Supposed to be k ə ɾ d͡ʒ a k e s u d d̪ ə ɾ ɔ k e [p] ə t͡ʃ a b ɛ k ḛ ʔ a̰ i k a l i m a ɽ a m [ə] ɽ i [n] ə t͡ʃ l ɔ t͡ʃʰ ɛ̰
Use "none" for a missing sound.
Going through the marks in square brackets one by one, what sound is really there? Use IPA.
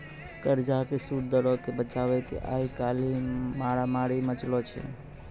b, a, m

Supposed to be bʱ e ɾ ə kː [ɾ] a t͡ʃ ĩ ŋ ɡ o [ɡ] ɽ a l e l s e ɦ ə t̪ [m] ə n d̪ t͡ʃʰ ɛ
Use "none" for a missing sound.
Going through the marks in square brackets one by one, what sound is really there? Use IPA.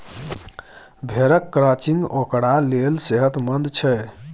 ɾ, k, m

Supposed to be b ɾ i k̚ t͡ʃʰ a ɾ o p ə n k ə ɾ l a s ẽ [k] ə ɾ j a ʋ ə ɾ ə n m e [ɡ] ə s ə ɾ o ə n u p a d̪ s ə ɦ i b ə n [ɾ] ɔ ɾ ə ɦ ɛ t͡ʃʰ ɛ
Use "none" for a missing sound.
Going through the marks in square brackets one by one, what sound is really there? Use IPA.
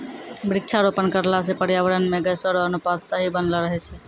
p, ɡ, l

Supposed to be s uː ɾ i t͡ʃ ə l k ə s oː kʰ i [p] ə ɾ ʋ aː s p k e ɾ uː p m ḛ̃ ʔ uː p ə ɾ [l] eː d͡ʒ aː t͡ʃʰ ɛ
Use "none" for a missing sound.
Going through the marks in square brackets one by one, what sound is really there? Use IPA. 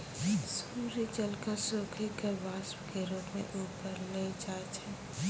k, l

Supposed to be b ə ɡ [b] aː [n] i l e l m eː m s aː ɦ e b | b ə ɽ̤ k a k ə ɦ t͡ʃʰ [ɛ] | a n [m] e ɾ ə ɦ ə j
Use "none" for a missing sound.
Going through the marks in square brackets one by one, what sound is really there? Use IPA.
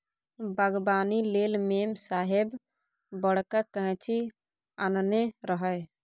b, n, i, n

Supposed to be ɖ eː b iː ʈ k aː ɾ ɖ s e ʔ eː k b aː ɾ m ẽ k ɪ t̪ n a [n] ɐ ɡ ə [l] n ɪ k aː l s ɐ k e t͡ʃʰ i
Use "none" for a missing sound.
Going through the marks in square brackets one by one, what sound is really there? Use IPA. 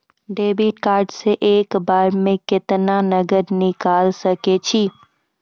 n, ɾ

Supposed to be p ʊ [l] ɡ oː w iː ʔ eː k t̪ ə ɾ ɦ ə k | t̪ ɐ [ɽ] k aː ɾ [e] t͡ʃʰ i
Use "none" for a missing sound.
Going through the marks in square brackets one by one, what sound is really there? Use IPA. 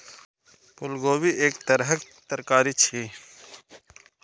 l, ɾ, i

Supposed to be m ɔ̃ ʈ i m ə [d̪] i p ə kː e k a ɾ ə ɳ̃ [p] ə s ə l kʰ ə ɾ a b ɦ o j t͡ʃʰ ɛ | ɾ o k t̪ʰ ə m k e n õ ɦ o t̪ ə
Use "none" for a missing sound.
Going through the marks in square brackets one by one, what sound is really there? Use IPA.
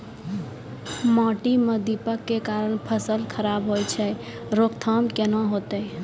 d̪, pʰ

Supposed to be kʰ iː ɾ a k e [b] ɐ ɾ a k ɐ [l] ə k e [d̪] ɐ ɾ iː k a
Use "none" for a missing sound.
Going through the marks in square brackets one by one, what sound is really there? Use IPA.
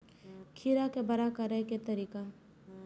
b, ɾ, t̪

